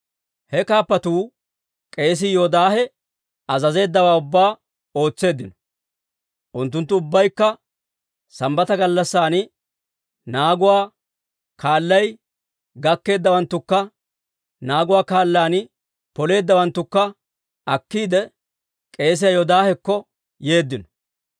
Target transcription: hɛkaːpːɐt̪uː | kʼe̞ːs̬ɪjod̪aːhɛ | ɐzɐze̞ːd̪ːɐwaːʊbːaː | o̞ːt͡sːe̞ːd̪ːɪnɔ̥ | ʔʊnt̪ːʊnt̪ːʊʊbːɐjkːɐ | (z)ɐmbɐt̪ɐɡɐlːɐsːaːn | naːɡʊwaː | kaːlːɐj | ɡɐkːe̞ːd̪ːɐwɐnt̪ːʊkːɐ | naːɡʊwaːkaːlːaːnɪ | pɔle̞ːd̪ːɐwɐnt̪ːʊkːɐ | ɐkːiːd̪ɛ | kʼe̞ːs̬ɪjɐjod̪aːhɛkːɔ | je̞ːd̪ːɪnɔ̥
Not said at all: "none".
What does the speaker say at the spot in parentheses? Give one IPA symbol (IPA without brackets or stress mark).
s